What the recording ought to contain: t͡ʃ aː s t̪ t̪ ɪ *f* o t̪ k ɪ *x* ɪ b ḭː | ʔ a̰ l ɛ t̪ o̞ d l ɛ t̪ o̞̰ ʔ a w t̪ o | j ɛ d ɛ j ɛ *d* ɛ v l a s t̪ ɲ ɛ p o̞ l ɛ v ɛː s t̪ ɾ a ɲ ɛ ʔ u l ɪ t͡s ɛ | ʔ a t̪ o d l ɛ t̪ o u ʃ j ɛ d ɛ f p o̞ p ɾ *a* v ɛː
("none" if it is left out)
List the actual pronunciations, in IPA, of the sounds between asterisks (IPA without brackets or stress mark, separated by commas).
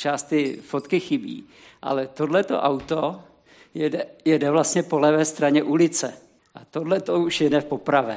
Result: f, x, d, a